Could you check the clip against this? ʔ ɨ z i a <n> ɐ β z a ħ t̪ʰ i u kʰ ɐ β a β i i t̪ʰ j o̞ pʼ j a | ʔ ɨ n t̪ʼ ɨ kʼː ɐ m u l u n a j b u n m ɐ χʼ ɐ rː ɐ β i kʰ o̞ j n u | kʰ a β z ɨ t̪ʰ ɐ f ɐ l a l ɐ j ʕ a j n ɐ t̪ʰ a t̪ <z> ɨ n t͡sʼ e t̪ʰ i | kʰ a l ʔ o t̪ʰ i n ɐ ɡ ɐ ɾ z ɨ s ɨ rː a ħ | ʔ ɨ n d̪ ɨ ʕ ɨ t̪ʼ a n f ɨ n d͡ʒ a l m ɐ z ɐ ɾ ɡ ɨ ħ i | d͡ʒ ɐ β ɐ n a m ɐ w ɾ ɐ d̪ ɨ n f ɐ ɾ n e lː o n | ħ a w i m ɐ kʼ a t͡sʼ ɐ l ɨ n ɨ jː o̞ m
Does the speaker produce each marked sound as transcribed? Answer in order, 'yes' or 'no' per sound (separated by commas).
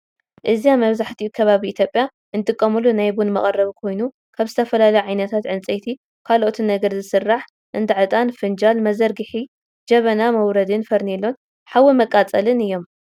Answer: no, no